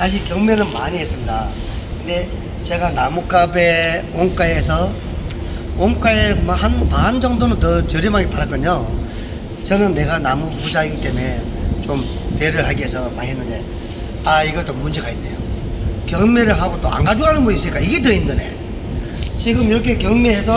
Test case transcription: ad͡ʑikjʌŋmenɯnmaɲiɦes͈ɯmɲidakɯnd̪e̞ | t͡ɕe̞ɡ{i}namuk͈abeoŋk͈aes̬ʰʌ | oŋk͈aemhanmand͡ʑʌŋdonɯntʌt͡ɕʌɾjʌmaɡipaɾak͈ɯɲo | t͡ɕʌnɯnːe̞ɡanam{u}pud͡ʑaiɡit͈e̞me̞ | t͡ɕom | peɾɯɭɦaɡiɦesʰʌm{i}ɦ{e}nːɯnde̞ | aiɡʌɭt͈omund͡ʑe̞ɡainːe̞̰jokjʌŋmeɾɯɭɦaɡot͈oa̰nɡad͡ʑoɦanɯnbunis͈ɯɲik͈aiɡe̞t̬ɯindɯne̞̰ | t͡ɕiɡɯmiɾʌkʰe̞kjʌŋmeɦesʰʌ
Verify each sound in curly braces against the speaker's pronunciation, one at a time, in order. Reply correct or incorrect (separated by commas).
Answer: incorrect, correct, incorrect, correct